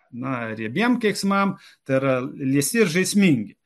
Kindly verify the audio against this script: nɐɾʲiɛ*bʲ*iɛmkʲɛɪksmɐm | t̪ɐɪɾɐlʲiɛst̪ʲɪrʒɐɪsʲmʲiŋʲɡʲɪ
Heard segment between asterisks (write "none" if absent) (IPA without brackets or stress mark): bʲ